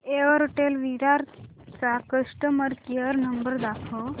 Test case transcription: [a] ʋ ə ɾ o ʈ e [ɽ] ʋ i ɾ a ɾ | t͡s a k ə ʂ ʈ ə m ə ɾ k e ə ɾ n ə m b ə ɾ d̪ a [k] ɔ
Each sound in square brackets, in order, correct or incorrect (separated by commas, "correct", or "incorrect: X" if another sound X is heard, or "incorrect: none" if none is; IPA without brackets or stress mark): incorrect: e, incorrect: l, incorrect: kʰ